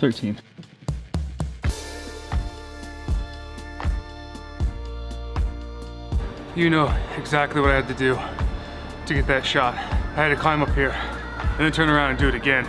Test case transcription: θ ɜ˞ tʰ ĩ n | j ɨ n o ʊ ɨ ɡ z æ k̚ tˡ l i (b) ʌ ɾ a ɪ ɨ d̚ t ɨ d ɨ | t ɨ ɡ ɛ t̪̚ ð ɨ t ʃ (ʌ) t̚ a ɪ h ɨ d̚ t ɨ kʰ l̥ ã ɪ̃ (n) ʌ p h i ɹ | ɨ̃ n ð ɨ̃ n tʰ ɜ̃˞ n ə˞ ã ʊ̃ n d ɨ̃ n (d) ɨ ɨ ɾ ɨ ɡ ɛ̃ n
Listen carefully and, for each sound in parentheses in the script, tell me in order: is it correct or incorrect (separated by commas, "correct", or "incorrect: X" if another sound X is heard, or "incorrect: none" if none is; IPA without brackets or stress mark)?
incorrect: w, incorrect: ɑ, incorrect: m, correct